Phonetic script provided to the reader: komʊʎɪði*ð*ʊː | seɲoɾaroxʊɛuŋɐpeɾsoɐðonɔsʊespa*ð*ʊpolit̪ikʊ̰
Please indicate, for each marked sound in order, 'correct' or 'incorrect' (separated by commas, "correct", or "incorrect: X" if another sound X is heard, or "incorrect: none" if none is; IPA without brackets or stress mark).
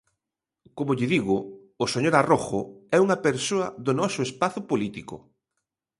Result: incorrect: ɣ, incorrect: θ